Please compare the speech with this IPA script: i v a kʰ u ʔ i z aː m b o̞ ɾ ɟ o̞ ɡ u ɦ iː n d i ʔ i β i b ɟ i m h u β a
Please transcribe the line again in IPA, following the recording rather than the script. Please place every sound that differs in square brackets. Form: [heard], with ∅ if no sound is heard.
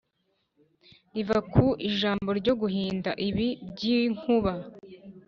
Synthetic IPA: i v a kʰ u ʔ i [ʒ] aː m b o̞ ɾ ɟ o̞ ɡ u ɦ iː n d [a] ʔ i β i b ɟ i [ŋ] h u β a